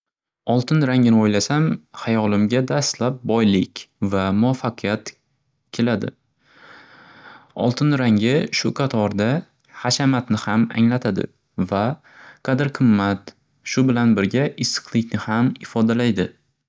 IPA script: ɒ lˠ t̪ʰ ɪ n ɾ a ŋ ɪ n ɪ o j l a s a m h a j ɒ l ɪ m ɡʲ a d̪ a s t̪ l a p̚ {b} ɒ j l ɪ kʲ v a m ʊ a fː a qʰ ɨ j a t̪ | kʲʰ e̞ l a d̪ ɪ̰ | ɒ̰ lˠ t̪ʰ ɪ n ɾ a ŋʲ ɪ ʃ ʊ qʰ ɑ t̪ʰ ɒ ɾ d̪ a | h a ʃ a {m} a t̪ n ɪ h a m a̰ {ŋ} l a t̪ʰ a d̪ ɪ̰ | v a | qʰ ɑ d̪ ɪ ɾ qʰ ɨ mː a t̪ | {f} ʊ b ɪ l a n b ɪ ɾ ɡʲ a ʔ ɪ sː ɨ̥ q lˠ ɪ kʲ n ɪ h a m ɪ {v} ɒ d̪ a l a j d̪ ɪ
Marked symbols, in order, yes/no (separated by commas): yes, yes, yes, no, no